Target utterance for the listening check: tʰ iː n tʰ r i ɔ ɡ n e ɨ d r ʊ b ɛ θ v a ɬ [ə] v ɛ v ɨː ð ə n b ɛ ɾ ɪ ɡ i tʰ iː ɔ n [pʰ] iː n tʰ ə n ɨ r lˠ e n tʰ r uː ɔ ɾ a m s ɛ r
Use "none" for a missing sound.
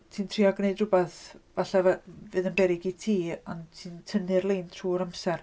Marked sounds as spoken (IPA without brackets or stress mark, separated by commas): a, tʰ